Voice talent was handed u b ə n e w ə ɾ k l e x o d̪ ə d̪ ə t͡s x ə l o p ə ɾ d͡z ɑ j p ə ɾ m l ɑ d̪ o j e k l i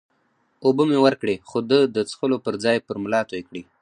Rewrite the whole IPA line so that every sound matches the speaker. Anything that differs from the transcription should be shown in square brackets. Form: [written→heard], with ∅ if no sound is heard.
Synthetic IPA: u b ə [n→m] e w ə ɾ k [l→ɽ] e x o d̪ ə d̪ ə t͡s x ə l o p ə ɾ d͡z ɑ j p ə ɾ m l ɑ [d̪→t̪] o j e k [l→ɽ] i